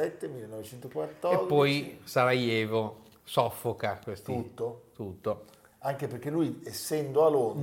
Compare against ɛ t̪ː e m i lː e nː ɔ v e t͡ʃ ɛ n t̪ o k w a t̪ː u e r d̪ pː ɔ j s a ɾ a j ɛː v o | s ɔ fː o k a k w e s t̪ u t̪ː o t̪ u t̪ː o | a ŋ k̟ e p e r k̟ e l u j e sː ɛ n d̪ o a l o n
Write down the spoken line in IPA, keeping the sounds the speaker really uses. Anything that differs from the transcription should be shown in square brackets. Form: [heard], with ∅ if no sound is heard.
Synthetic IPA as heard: ɛ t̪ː e m i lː e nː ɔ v e t͡ʃ ɛ n t̪ o k w a t̪ː [ɔ] e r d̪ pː ɔ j s a ɾ a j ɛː v o | s ɔ fː o k a k w e s t̪ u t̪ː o t̪ u t̪ː o | a ŋ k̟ e p e r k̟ e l u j e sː ɛ n d̪ o a l o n